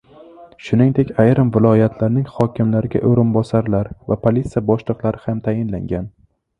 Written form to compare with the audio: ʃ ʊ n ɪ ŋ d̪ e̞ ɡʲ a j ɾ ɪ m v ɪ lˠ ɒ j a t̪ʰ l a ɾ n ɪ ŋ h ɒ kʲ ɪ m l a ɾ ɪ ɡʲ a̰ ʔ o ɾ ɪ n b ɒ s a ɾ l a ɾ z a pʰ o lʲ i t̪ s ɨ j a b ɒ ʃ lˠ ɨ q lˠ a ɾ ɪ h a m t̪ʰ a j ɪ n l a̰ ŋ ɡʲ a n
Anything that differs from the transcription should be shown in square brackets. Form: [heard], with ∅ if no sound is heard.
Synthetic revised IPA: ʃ ʊ n ɪ ŋ d̪ e̞ [kʲ] a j ɾ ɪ m v ɪ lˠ ɒ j a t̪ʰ l a ɾ n ɪ ŋ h ɒ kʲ ɪ m l a ɾ ɪ ɡʲ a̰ ʔ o ɾ ɪ n b ɒ s a ɾ l a ɾ [v] a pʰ o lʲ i t̪ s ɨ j a b ɒ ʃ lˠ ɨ q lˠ a ɾ ɪ h a m t̪ʰ a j ɪ n l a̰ ŋ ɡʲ a n